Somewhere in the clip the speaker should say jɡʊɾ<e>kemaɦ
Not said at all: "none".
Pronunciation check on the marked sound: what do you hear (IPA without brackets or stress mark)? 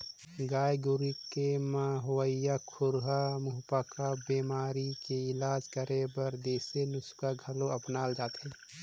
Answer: i